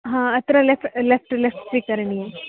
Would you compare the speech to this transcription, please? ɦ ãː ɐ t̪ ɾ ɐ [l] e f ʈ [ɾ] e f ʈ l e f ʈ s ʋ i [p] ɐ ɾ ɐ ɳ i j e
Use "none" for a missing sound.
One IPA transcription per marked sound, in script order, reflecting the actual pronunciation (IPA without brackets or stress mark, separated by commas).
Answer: l, l, k